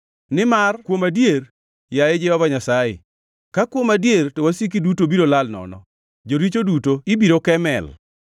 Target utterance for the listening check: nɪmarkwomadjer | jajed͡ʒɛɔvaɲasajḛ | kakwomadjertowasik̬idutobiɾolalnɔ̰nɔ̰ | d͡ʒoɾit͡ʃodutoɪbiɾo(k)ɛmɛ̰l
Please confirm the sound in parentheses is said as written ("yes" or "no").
yes